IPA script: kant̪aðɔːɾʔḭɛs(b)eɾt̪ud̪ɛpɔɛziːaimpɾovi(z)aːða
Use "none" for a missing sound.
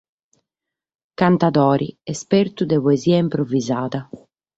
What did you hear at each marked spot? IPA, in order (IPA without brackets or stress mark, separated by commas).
p, z